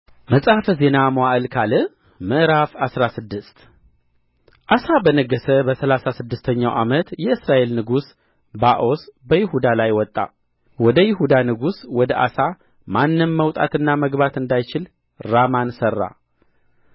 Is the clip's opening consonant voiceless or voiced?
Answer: voiced